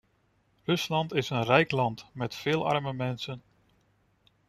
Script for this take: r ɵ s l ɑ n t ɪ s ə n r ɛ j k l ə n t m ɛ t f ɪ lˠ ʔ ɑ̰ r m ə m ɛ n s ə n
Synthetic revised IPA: r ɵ s l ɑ n t ɪ s ə n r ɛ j k l ɑ n t m ɛ t f ɪː lˠ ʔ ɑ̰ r m ə m ɛ n s ə n